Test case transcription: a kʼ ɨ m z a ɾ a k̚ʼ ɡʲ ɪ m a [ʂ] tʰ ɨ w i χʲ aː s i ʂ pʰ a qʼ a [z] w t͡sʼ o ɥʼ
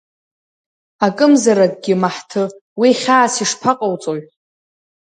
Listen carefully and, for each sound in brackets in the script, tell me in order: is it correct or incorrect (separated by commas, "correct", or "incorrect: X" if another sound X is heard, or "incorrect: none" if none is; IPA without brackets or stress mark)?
incorrect: ħ, incorrect: none